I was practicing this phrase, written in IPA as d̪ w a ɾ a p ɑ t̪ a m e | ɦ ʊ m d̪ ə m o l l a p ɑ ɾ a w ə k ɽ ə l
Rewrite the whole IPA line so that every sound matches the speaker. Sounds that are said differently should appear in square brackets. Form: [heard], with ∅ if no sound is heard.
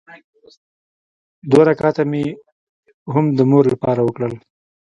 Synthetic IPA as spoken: d̪ w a ɾ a [k] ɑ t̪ a m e | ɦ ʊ m d̪ ə m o [ɾ] l a p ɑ ɾ a w ə k ɽ ə l